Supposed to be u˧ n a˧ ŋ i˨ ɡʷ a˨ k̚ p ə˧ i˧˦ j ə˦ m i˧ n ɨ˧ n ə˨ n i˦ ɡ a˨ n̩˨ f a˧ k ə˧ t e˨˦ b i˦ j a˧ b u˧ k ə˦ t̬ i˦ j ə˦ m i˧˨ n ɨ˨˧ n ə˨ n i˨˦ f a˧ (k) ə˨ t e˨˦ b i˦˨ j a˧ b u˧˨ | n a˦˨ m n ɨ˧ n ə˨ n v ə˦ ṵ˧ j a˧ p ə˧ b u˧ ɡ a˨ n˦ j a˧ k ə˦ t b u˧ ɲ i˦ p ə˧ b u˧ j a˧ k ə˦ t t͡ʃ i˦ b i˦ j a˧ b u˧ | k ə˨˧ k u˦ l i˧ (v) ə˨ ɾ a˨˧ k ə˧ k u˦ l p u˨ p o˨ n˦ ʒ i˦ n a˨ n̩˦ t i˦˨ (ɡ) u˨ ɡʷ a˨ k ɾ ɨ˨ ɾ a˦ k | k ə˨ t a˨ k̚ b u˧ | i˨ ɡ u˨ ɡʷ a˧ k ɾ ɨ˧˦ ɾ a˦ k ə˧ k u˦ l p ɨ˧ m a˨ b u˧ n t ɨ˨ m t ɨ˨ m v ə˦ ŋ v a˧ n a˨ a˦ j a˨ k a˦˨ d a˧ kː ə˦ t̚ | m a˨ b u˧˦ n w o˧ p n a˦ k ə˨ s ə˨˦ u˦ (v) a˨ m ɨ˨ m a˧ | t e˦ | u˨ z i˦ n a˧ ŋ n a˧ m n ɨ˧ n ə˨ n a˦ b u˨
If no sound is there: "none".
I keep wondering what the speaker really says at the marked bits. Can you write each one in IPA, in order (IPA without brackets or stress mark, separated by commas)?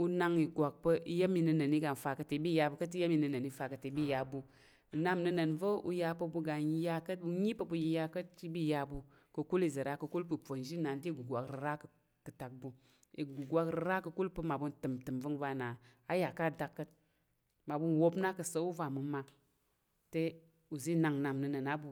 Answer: k, z, ɡ, v